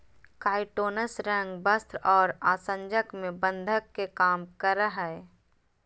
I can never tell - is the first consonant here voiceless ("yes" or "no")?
yes